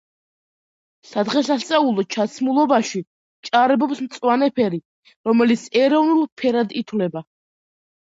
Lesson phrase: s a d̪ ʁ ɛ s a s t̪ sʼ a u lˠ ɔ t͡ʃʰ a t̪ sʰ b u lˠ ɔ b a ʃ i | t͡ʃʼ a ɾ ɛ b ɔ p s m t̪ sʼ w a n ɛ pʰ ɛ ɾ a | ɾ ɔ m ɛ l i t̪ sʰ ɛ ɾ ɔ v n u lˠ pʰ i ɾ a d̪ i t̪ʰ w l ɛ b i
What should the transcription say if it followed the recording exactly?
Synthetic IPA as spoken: s a d̪ ʁ ɛ s a s t̪ sʼ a u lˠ ɔ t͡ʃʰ a t̪ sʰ m u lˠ ɔ b a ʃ i | t͡ʃʼ a ɾ ɛ b ɔ p s m t̪ sʼ w a n ɛ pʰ ɛ ɾ i | ɾ ɔ m ɛ l i t̪ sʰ ɛ ɾ ɔ v n u lˠ pʰ ɛ ɾ a d̪ i t̪ʰ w l ɛ b a